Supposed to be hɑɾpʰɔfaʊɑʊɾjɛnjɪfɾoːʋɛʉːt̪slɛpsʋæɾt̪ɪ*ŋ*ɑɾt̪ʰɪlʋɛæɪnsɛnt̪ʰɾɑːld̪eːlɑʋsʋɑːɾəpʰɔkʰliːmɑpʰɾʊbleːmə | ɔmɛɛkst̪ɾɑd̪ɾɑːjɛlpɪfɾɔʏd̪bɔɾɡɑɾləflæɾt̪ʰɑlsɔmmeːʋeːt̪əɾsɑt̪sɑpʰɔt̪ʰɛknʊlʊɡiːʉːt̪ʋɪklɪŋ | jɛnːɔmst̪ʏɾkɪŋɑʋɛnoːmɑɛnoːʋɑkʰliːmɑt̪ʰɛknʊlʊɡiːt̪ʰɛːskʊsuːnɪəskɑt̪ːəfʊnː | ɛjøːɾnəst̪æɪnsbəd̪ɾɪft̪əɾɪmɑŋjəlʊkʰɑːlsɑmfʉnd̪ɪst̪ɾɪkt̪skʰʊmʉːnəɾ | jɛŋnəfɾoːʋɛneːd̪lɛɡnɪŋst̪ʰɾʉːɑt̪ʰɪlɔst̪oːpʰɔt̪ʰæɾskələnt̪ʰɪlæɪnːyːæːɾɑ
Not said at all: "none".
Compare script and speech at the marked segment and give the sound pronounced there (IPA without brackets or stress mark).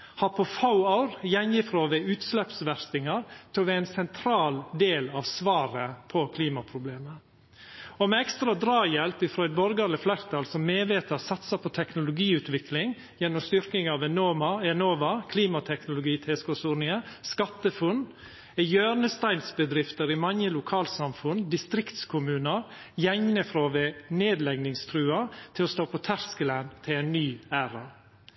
ŋ